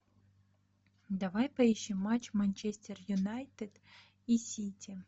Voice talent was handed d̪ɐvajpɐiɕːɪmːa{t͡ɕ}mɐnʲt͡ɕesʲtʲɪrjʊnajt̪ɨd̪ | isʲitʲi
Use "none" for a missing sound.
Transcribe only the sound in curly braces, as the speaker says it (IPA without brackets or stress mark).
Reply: t͡ɕ